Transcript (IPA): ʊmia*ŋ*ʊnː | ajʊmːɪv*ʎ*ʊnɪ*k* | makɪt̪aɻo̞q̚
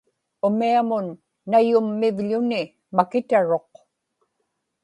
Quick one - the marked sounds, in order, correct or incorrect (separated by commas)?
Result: incorrect, correct, incorrect